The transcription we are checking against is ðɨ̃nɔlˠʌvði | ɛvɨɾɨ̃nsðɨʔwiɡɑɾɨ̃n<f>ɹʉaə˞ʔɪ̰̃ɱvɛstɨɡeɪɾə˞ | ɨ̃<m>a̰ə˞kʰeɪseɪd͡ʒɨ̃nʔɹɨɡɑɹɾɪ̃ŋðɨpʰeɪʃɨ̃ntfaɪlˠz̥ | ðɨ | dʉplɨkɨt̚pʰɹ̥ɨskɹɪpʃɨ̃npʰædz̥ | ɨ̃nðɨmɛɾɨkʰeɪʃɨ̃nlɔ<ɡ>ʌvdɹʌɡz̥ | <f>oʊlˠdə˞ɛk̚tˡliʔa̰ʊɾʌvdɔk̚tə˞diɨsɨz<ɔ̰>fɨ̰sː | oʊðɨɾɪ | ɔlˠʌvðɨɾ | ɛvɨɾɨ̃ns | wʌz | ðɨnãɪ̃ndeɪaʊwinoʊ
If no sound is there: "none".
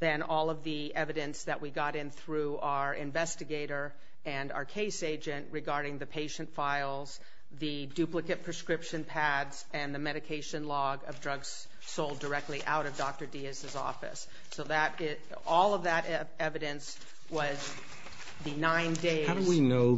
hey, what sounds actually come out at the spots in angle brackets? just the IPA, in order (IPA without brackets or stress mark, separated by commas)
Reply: θ, n, ɡ, s, ɔ̰